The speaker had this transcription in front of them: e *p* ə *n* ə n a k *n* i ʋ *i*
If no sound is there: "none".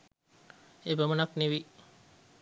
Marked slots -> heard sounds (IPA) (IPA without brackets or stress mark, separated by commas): b, m, n, i